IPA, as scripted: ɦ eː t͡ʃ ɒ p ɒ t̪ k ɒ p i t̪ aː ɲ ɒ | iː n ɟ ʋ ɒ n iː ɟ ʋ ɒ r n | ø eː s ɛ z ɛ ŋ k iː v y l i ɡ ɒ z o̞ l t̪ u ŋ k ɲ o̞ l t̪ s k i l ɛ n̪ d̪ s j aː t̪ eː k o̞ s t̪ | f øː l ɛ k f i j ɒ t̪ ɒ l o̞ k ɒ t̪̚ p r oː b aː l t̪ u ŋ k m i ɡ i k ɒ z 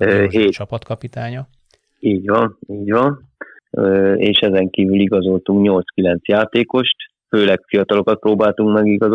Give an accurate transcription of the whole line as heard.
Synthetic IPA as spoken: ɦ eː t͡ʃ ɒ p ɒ t̪ k ɒ p i t̪ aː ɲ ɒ | iː ɟ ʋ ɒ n iː ɟ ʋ ɒ n | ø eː ʃ ɛ z ɛ ŋ k iː v y l i ɡ ɒ z o̞ l t̪ u ŋ k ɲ o̞ l t̪ s k i l ɛ n̪ t̪ s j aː t̪ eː k o̞ ʃ t̪ | f øː l ɛ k f i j ɒ t̪ ɒ l o̞ k ɒ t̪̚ p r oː b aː l t̪ u ŋ k m ɛ ɡ i ɡ ɒ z